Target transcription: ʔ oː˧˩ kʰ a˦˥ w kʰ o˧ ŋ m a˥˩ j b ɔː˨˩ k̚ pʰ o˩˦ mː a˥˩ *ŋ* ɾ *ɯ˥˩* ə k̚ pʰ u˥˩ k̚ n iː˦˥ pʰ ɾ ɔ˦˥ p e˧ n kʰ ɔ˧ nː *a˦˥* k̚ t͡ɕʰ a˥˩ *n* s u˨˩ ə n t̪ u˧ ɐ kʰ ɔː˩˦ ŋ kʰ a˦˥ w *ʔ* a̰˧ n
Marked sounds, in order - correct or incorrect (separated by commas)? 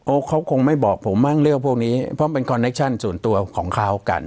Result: correct, correct, incorrect, correct, incorrect